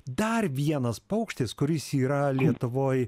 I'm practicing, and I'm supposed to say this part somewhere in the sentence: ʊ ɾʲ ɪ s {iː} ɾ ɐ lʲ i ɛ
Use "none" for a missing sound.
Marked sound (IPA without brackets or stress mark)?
iː